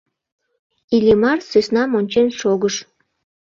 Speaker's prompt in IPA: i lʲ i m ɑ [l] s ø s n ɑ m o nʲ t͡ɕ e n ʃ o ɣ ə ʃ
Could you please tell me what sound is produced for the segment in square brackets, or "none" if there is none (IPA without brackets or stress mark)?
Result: r